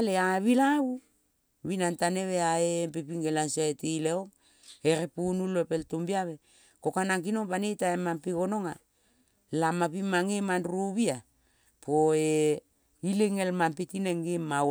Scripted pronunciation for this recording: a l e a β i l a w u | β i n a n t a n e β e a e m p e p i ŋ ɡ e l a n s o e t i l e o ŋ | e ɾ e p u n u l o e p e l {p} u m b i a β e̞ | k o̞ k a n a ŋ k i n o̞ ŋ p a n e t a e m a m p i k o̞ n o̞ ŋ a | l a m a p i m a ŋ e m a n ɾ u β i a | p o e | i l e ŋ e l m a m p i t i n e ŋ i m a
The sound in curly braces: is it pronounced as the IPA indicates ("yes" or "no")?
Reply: no